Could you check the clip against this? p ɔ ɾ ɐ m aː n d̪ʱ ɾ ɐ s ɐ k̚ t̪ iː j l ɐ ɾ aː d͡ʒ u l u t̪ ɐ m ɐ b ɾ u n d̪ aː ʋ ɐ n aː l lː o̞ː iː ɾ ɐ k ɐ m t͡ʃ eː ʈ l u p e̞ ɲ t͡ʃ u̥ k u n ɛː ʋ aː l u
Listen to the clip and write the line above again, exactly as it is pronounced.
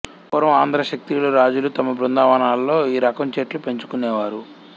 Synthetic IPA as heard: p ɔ ɾ ɐ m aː n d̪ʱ ɾ ɐ ʃ ɐ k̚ t̪ i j l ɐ ɾ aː d͡ʒ u l u t̪ ɐ m ɐ b ɾ u n d̪ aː ʋ ɐ n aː l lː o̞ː iː ɾ ɐ k ɐ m t͡ʃ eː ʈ l u p e̞ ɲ t͡ʃ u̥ k u n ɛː ʋ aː ɾ u